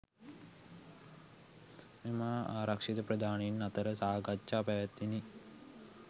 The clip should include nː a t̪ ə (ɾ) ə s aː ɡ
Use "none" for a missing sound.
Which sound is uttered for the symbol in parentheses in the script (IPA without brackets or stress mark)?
ɾ